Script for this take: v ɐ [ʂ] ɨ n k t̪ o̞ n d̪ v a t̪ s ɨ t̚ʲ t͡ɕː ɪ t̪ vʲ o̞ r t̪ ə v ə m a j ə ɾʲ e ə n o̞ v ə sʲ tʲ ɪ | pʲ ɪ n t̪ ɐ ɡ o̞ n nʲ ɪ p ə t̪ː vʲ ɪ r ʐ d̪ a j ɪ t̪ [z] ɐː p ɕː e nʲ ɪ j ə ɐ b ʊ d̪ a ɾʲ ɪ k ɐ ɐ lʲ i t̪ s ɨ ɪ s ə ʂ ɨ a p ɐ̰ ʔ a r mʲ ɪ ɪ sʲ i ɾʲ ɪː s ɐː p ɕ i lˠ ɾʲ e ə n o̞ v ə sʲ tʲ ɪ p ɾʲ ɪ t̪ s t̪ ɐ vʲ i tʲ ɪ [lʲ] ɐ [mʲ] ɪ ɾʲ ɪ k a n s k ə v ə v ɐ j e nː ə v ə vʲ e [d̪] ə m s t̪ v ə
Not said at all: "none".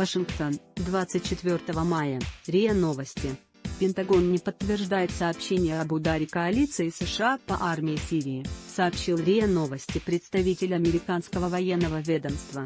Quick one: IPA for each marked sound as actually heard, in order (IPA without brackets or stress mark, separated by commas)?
ʂ, s, lʲ, mʲ, d̪